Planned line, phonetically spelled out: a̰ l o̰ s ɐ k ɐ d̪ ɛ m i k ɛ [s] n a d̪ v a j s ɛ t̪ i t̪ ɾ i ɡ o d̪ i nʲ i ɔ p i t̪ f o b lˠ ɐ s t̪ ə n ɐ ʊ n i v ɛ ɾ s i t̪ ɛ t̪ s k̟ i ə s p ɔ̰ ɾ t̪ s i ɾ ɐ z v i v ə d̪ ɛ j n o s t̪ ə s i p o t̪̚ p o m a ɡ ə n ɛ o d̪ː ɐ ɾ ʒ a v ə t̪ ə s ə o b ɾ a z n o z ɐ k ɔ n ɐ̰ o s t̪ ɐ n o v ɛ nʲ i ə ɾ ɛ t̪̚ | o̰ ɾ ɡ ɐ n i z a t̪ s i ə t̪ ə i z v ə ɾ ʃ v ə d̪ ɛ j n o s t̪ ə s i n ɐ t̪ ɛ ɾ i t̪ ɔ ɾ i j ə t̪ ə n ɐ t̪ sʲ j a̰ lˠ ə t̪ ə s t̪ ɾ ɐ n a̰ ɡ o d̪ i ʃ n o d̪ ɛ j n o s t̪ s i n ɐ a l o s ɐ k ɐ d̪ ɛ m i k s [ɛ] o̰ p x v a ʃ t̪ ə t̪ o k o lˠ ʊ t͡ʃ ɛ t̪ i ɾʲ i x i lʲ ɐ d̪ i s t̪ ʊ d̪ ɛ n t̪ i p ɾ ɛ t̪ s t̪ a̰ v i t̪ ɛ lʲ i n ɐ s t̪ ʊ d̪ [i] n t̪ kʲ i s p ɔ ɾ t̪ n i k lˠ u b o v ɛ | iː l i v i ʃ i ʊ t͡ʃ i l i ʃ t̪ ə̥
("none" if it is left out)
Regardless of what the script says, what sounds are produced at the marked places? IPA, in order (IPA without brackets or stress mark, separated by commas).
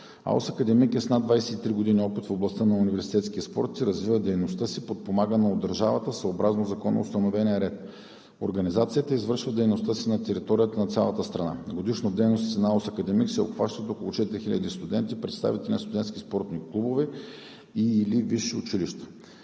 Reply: s, ɛ, ɛ